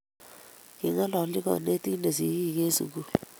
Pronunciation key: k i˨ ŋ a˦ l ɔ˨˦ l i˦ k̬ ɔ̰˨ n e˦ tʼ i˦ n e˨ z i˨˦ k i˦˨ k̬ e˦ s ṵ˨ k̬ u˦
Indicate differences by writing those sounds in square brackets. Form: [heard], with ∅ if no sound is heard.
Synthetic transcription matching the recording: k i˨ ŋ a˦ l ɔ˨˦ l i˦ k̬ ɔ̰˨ n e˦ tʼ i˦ n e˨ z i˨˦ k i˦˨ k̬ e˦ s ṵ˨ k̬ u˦

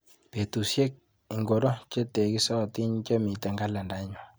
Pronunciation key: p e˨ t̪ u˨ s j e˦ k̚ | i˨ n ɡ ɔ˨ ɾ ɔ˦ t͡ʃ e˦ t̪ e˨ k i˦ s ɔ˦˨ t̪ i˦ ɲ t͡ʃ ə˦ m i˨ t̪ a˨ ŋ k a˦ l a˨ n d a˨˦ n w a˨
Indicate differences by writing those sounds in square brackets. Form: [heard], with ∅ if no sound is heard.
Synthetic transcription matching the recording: p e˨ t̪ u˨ s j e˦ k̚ | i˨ [ŋ] ɡ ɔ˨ ɾ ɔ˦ t͡ʃ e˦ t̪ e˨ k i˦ s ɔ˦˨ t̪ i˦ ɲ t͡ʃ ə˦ m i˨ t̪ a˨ ŋ [ɡ] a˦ l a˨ n d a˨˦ [ɲ] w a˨

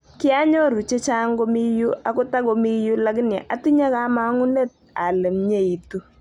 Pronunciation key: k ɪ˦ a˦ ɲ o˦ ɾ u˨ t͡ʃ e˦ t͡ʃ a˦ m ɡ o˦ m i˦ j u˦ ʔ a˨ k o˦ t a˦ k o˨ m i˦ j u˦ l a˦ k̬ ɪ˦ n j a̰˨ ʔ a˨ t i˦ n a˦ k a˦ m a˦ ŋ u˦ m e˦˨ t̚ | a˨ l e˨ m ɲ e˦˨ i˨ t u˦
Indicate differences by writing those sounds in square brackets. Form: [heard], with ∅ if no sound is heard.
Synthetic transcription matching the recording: k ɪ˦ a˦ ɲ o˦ ɾ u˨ t͡ʃ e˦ t͡ʃ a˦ [ŋ] ɡ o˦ m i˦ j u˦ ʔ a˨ k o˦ t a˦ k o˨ m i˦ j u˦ l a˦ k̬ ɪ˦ n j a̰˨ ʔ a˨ t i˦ [ɲ] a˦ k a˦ m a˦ ŋ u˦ [n] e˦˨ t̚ | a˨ l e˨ m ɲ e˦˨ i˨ t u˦

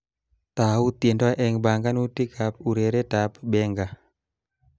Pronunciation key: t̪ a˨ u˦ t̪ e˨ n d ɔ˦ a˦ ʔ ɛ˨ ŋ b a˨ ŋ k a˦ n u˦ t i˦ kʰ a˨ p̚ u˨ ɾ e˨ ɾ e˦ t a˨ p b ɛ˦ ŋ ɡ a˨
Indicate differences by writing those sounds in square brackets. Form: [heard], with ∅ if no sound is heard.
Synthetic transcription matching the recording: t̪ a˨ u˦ t̪ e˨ n d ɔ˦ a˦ ʔ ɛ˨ ŋ b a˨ ŋ [ɡ] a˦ n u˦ t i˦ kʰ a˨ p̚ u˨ ɾ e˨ ɾ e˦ t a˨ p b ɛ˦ ŋ ɡ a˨

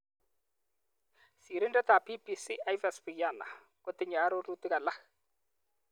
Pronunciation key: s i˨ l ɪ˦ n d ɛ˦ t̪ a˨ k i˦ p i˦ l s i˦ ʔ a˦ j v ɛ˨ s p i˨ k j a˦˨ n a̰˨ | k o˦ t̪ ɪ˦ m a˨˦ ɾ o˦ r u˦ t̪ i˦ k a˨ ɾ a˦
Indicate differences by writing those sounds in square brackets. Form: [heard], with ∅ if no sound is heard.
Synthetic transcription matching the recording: s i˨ [ɾ] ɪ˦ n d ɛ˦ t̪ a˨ [p] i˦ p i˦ [∅] s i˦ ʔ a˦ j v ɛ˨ s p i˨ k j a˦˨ n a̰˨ | k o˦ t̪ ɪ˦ [ɲ] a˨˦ ɾ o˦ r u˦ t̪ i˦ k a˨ [l] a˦

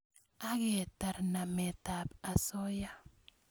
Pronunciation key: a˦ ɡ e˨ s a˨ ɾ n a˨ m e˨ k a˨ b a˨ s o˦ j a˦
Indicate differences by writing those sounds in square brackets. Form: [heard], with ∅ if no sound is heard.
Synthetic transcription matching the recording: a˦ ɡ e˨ [t] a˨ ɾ n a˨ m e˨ [t] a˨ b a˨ s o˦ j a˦

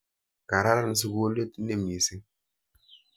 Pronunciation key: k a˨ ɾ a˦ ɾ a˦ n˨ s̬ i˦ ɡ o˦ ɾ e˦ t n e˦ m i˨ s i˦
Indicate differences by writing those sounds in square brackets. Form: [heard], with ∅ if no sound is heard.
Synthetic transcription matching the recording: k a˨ ɾ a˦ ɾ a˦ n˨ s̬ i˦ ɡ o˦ [l] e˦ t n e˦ m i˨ s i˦

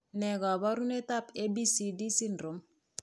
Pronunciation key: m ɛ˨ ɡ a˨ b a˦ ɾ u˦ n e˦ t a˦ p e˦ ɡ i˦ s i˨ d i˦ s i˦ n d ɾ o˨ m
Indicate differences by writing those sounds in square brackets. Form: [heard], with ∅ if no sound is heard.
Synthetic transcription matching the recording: [n] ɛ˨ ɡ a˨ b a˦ ɾ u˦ n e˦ t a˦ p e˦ [b] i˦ s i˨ d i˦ s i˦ n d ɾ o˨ m

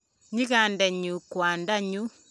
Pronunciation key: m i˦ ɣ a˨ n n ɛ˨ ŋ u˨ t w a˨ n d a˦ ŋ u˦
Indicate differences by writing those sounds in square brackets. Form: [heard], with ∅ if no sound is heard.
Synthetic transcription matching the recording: [ɲ] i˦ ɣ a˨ n [d] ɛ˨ [ɲ] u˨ [k] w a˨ n d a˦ [ɲ] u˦

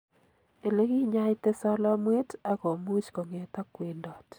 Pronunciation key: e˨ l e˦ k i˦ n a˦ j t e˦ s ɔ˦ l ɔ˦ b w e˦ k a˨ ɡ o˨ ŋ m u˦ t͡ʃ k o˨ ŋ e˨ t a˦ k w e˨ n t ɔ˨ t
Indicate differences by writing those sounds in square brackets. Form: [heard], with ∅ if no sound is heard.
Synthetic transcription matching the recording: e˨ l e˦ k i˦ [ɲ] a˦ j t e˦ s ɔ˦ l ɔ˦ [m] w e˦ [t] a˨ [k] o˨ [∅] m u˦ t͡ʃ k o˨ ŋ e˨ t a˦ k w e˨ n [d] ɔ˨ t

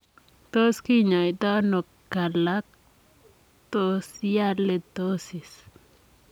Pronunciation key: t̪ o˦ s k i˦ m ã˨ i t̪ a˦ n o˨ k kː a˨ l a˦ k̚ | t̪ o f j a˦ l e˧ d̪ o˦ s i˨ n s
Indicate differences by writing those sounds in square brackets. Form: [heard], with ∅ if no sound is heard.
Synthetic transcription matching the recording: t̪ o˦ s k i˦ [ɲ] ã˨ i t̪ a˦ n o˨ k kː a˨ l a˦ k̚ | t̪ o [s] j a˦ l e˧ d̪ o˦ s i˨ [∅] s

